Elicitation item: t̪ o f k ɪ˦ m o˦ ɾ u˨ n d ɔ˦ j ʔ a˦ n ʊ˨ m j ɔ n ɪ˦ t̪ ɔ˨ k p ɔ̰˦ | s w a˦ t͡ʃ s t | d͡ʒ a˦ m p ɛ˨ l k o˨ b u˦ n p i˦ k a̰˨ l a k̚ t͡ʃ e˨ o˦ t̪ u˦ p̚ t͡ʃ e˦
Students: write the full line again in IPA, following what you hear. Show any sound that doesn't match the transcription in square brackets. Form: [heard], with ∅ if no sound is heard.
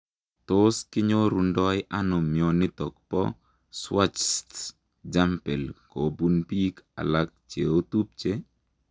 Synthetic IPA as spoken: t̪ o [s] k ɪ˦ [ɲ] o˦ ɾ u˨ n d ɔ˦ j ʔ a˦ n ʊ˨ m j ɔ n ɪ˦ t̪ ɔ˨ k p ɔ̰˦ | s w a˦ t͡ʃ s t | d͡ʒ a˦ m p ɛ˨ l k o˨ b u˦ n p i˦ k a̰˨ l a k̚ t͡ʃ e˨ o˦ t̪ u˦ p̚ t͡ʃ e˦